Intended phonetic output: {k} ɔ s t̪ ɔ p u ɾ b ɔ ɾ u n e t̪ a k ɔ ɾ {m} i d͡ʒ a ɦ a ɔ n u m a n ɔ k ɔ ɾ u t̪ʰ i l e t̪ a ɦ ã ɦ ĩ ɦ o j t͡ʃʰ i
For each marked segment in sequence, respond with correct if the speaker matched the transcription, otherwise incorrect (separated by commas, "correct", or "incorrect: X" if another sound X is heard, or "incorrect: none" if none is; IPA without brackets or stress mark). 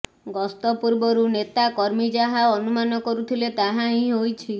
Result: incorrect: ɡ, correct